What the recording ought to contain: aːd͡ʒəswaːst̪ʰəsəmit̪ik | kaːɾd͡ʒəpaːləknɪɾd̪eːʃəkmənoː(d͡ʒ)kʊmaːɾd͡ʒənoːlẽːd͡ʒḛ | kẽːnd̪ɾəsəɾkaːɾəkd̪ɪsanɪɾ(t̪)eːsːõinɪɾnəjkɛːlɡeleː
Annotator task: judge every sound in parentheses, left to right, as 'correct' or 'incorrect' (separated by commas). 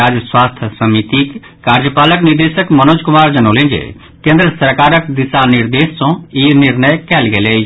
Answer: correct, incorrect